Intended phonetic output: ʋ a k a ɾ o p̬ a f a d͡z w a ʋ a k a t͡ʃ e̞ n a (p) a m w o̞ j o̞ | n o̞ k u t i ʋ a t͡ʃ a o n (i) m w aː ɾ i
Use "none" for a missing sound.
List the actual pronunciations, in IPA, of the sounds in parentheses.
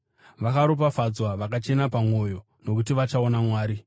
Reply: p, a

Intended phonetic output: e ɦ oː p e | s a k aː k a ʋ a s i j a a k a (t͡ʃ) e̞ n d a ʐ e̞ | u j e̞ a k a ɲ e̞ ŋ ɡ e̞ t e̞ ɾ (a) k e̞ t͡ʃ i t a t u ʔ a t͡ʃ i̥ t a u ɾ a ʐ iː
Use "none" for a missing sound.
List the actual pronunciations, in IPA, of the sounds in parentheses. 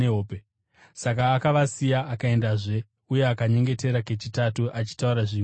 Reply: none, a

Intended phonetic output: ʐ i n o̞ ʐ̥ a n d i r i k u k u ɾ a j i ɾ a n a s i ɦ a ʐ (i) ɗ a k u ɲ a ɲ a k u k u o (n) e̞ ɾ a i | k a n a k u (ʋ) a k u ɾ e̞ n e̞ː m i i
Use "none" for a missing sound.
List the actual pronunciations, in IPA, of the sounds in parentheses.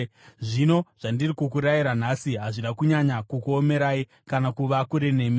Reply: i, m, ʋ

